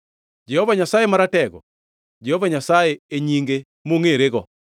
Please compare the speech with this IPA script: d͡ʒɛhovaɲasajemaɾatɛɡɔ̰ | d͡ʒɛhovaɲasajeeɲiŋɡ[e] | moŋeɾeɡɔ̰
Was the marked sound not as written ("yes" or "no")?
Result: no